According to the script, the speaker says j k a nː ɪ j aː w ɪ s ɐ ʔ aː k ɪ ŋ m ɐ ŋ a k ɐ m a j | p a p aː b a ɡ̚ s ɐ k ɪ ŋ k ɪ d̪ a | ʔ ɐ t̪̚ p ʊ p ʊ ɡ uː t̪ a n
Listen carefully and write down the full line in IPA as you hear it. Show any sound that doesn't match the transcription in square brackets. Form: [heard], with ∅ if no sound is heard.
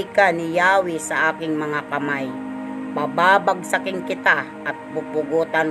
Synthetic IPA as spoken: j k a [n] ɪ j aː w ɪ s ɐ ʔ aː k ɪ ŋ m ɐ ŋ a k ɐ m a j | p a [b] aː b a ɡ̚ s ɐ k ɪ ŋ k ɪ [t̪] a | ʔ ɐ t̪̚ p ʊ p ʊ ɡ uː t̪ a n